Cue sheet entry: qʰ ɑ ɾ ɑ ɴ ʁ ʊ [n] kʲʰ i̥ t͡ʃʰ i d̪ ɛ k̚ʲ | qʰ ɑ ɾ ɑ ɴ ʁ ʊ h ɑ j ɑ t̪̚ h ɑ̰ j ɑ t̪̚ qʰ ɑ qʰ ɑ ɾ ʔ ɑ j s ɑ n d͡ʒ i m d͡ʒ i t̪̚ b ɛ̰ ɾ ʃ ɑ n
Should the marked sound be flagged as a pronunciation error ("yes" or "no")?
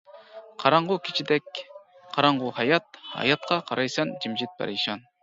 yes